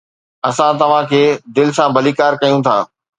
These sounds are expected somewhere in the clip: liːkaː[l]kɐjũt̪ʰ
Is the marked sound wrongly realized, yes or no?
yes